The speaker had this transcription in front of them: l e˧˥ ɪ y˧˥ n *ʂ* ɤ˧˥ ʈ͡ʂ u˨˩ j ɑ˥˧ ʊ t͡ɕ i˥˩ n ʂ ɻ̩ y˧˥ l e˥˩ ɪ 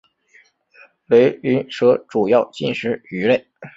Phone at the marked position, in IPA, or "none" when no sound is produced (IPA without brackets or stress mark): ʂ